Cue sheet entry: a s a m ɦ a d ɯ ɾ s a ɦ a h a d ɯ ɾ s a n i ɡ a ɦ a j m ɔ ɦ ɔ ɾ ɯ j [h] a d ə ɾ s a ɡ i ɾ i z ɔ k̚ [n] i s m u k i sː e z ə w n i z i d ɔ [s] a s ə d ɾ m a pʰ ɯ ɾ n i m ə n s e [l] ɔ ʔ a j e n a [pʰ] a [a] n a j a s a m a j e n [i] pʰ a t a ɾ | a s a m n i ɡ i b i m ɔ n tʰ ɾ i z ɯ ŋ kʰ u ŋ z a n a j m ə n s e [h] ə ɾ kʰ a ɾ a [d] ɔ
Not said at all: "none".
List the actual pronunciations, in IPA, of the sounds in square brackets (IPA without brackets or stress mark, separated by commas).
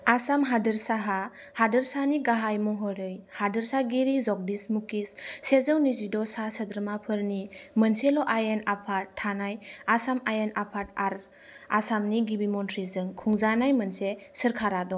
h, d, s, l, pʰ, a, a, s, d